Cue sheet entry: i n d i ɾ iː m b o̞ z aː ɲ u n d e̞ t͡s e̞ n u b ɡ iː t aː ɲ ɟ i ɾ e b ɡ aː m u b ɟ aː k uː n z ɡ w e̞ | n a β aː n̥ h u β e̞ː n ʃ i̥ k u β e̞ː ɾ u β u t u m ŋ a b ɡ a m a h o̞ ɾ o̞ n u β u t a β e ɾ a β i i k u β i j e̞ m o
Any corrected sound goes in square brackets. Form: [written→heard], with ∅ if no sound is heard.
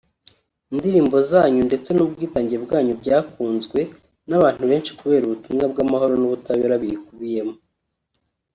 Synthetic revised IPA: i n d i ɾ iː m b o̞ z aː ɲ u n d e̞ t͡s e̞ n u b ɡ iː t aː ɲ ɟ i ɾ e b ɡ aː [m→ɲ] u b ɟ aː k uː n z ɡ w e̞ | n a β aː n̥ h u β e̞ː n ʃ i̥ k u β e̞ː ɾ u β u t u m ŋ a b ɡ a m a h o̞ ɾ o̞ n u β u t a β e ɾ a β i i k u β i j e̞ m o